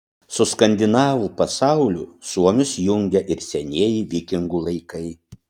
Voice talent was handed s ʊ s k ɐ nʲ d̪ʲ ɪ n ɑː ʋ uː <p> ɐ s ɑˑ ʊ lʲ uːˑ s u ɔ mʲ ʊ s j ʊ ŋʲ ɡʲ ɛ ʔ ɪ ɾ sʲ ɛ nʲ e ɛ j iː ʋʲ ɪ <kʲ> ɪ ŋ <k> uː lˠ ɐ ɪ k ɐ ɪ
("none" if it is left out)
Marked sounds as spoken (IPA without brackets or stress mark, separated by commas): p, kʲ, ɡ